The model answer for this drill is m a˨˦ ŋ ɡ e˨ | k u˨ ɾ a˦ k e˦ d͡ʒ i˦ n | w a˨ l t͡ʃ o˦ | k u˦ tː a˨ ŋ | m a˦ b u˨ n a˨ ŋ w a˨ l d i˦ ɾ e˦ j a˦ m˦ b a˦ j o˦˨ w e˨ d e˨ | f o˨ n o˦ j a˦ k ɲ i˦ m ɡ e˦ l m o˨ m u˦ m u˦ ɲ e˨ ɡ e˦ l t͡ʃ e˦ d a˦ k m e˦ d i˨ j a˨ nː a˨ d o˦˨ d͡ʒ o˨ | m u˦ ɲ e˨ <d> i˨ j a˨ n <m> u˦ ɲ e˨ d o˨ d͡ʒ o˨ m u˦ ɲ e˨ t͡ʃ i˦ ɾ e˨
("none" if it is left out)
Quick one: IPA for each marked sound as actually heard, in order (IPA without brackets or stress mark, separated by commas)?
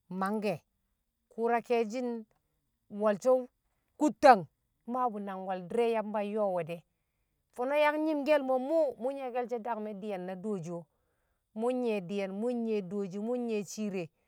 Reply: d, m